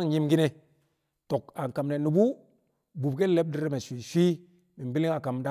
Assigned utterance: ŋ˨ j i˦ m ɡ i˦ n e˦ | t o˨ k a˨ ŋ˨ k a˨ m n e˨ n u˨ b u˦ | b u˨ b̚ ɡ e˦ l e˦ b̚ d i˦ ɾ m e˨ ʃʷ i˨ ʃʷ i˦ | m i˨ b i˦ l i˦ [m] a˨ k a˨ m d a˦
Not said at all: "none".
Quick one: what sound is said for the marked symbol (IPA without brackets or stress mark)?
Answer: ŋ